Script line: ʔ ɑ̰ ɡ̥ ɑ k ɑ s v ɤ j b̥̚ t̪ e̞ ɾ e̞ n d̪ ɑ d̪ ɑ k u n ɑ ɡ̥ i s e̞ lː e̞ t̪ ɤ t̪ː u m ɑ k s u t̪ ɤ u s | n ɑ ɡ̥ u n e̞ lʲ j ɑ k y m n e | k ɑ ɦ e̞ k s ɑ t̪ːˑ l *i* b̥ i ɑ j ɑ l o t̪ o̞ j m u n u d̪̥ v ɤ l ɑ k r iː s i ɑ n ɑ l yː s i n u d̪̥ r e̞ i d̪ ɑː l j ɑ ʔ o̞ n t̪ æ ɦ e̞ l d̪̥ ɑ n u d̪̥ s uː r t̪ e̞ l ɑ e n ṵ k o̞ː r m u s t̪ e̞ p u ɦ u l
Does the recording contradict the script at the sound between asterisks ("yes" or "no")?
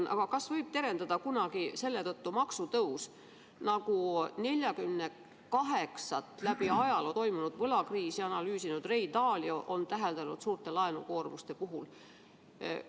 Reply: yes